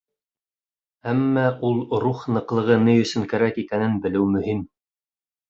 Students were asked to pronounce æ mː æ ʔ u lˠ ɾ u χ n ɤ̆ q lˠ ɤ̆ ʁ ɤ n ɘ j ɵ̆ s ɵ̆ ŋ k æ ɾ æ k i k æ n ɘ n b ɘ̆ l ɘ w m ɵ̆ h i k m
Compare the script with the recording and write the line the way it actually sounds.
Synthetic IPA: æ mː æ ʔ u lˠ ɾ u χ n ɤ̆ q lˠ ɤ̆ ʁ ɤ n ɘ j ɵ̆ s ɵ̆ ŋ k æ ɾ æ k i k æ n ɘ n b ɘ̆ l ɘ w m ɵ̆ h i m